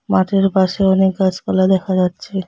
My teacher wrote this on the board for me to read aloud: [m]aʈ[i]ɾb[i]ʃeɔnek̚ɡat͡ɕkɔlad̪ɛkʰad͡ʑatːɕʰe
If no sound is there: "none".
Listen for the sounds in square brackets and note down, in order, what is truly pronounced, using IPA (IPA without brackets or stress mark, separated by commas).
m, e, a